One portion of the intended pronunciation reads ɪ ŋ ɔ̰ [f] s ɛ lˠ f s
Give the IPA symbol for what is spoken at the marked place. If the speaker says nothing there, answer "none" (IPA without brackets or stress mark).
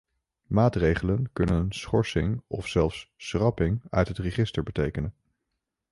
f